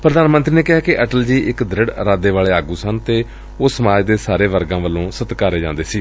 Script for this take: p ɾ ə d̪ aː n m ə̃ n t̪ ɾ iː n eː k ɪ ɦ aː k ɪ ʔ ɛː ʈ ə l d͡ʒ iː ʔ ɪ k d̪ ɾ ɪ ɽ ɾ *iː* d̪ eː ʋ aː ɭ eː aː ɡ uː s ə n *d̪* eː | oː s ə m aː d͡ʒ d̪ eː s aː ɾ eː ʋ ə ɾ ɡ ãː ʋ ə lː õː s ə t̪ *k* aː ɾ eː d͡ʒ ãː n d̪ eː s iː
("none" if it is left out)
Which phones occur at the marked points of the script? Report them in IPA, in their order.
aː, t̪, k

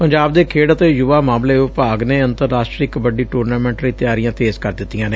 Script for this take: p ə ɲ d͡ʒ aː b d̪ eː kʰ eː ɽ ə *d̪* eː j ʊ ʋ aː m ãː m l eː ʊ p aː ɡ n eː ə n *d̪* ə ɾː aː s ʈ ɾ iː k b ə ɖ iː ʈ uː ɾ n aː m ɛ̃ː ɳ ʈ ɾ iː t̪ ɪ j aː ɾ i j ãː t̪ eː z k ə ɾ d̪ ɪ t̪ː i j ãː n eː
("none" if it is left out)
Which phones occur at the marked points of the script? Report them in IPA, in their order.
t̪, t̪

